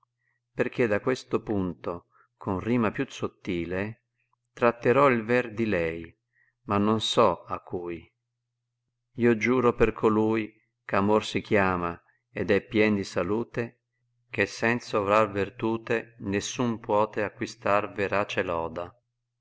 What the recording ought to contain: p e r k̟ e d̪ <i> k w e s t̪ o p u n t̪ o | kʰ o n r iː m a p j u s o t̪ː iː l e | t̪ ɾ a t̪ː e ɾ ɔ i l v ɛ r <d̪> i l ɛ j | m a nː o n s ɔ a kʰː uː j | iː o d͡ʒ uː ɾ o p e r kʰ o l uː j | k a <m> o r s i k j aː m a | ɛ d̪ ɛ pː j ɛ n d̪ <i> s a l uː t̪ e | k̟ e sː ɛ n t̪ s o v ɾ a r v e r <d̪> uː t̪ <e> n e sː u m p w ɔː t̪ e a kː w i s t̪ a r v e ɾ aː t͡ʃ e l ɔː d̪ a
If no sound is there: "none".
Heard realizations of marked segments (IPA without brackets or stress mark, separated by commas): a, d̪, m, i, t̪, e